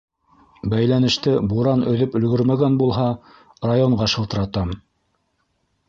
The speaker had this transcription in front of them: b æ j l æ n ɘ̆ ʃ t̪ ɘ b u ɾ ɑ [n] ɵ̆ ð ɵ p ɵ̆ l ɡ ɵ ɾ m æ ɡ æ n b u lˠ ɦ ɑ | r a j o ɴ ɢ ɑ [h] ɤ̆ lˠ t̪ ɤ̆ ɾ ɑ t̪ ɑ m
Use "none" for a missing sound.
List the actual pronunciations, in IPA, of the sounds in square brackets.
n, ʃ

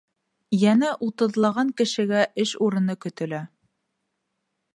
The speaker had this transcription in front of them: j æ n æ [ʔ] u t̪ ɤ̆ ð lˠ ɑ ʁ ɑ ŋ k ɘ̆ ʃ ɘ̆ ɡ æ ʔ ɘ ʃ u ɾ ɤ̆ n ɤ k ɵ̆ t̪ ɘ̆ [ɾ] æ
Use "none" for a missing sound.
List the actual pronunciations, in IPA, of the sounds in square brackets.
ʔ, l

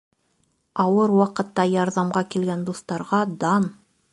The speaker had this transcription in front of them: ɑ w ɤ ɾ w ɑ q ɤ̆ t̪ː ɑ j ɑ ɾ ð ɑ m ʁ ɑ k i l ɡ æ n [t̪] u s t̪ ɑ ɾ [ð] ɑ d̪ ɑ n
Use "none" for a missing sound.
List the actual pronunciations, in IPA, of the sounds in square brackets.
d̪, ʁ

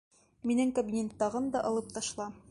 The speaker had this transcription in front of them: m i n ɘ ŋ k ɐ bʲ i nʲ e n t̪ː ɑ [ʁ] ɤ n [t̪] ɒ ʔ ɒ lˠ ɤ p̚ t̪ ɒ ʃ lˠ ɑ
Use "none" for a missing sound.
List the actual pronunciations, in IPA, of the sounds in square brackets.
ʁ, d̪

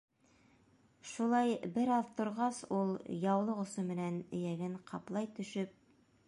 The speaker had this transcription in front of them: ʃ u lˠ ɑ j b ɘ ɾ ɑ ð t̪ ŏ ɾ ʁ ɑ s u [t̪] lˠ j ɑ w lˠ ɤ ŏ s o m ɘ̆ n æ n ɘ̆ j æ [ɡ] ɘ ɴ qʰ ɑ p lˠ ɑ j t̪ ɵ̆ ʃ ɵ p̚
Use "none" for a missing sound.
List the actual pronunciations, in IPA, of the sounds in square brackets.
none, ɡ

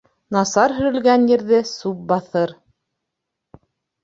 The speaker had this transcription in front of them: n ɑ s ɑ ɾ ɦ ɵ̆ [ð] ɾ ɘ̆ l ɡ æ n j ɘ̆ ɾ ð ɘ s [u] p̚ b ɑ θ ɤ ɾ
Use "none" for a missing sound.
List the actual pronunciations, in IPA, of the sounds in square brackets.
none, u

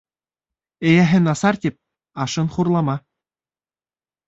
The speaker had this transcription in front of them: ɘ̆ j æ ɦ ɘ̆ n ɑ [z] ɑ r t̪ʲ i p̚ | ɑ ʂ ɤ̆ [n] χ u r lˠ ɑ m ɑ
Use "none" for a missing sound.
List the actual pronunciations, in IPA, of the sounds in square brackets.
s, n

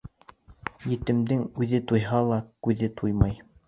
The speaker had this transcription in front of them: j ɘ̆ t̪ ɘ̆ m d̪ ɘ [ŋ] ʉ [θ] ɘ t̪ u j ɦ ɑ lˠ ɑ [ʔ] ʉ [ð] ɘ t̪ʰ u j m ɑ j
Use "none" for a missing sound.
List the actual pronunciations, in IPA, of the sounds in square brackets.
ŋ, ð, k, ð

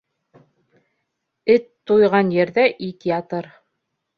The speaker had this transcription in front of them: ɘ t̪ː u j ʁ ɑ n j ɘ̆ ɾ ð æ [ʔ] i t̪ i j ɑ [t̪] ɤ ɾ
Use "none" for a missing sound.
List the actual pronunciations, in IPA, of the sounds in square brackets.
ʔ, t̪

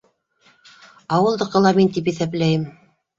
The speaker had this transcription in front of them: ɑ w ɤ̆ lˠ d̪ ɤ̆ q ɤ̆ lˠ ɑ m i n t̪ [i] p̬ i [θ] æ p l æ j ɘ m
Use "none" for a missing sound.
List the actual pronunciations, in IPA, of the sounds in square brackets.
i, θ

